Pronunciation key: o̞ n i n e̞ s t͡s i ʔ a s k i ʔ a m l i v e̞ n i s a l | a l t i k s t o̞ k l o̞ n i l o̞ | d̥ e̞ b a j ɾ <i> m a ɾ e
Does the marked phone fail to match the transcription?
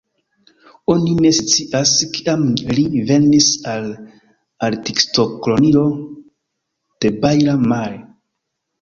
yes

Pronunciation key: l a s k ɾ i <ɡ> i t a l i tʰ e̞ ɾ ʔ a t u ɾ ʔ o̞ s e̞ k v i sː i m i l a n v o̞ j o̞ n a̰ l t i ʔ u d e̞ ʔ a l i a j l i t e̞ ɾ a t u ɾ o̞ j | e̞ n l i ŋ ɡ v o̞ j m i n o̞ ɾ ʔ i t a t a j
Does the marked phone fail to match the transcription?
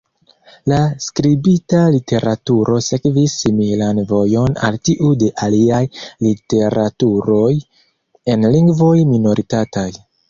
yes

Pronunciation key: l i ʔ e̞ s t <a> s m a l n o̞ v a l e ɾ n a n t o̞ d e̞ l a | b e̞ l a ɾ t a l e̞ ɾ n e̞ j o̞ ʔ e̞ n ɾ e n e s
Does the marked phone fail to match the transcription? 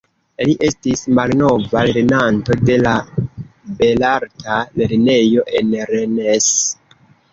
yes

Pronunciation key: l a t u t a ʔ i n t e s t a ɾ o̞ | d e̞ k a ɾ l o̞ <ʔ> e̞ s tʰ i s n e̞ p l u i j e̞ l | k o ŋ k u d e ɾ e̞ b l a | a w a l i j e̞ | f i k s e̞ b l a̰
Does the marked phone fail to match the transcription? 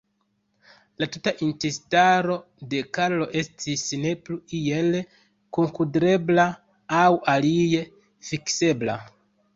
no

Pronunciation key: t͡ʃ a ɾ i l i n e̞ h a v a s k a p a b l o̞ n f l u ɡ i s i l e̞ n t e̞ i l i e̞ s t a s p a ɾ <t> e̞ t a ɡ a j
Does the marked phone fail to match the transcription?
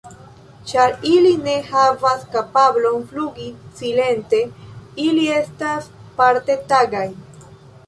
no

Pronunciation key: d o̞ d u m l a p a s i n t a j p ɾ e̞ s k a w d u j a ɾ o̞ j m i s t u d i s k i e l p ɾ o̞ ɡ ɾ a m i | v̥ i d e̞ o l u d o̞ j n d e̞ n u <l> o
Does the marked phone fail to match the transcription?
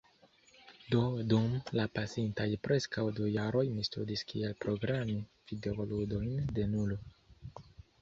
no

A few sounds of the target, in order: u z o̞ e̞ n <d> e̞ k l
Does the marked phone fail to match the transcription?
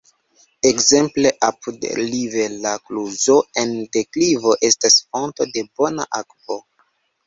no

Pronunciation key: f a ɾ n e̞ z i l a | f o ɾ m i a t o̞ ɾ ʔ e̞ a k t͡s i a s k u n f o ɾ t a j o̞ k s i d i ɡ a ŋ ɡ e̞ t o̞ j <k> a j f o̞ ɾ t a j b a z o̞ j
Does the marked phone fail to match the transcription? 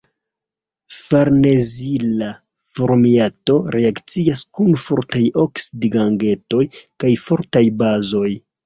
no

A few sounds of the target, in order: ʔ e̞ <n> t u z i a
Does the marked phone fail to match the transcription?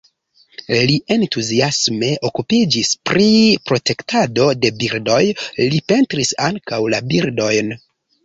no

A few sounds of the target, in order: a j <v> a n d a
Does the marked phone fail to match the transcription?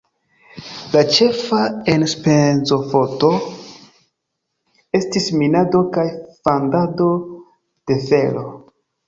yes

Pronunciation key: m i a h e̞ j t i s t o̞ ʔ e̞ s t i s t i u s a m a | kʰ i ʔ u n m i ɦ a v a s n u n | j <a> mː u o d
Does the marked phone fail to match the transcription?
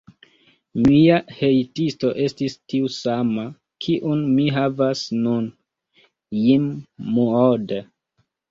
yes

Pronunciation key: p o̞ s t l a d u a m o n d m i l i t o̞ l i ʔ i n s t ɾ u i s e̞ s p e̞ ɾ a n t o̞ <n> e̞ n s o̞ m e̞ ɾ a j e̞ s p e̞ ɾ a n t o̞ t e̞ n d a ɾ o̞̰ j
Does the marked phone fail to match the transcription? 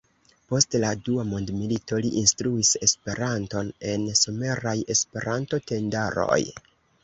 no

